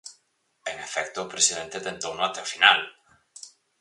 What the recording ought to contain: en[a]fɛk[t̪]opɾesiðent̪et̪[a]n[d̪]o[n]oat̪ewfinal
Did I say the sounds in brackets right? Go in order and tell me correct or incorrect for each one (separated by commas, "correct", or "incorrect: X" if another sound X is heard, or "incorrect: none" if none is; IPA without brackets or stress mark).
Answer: incorrect: e, correct, incorrect: e, incorrect: t̪, correct